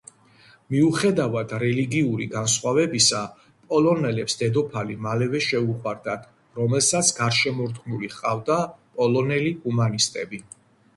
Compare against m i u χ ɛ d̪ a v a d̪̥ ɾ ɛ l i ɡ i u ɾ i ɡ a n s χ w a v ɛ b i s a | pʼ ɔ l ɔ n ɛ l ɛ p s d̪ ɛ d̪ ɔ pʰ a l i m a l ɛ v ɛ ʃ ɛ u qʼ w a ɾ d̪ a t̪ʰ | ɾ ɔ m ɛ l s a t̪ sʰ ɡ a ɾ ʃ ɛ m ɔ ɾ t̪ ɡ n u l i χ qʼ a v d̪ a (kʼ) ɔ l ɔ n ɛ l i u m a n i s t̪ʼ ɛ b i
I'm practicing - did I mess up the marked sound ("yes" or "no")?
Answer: yes